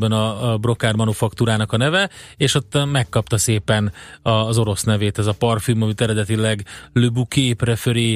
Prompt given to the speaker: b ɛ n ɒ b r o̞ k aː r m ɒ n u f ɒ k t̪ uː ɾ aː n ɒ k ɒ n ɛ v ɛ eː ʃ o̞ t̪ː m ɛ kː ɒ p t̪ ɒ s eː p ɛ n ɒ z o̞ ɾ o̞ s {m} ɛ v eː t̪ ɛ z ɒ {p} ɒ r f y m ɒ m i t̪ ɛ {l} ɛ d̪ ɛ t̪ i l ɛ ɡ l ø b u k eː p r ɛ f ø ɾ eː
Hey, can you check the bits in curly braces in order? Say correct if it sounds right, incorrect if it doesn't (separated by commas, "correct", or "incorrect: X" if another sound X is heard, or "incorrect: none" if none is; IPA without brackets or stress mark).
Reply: incorrect: n, correct, incorrect: ɾ